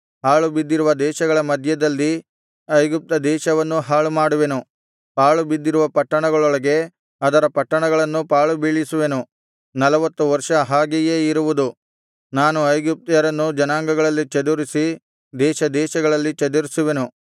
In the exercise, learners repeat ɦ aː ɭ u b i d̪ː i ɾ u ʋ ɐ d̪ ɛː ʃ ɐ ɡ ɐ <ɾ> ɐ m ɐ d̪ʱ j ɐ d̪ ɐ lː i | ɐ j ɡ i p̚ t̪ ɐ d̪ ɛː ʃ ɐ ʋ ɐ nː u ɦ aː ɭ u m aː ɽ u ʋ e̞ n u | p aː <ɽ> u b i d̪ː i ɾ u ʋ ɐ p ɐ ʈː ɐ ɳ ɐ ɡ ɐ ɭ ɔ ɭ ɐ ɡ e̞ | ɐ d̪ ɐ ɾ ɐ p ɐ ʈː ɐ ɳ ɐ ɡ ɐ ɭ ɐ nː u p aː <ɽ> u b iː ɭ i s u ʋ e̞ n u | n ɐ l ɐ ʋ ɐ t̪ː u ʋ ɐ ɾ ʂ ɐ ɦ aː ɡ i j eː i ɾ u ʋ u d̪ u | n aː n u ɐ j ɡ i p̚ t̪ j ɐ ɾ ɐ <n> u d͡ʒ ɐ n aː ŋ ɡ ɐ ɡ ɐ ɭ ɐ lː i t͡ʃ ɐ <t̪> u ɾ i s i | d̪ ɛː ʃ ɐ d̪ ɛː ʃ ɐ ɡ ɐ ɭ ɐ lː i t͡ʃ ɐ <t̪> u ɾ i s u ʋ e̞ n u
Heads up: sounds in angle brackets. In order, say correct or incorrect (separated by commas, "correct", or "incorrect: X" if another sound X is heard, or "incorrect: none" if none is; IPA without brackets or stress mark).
incorrect: ɭ, incorrect: ɭ, incorrect: ɭ, incorrect: nː, incorrect: d̪, incorrect: d̪